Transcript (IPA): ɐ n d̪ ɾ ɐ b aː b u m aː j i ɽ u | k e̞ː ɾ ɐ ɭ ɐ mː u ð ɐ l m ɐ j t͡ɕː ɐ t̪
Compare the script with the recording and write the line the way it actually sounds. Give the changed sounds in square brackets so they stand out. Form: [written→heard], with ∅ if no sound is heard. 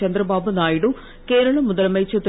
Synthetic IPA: ɐ n d̪ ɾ ɐ b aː b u [m→n] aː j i ɽ u | k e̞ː ɾ ɐ ɭ ɐ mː u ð ɐ l m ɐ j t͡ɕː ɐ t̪